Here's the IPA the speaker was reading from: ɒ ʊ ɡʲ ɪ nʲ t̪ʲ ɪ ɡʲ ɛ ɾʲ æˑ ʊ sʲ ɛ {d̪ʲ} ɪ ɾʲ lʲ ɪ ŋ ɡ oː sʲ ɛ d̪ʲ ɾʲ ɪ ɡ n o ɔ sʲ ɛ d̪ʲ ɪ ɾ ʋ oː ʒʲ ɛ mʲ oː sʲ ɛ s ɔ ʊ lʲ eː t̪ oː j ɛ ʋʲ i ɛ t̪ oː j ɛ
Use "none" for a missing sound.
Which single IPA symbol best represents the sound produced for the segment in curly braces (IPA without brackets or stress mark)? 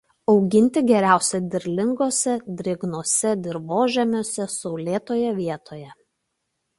d̪ʲ